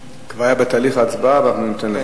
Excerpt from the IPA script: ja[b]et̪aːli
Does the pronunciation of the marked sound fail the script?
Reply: no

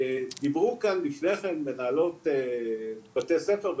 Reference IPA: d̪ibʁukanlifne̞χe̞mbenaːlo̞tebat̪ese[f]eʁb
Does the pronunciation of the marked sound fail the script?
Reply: no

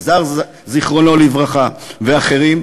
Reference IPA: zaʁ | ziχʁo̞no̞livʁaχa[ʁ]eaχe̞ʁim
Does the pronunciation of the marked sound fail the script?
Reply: yes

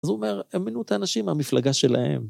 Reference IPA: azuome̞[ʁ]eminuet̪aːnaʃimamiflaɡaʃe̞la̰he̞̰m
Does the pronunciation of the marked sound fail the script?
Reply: no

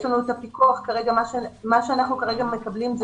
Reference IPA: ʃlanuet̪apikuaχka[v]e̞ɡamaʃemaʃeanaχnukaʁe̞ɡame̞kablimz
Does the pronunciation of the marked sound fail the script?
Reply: yes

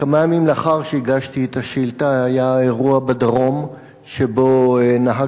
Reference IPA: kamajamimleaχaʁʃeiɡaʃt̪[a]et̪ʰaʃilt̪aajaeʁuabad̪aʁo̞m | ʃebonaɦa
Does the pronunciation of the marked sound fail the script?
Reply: yes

